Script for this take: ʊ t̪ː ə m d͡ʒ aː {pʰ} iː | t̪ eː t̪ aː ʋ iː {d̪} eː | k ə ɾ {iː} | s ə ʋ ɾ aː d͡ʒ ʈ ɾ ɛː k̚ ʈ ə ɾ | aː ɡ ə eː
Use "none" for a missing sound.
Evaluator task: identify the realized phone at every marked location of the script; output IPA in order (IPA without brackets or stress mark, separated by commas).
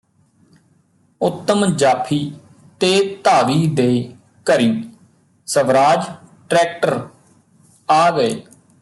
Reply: pʰ, d̪, iː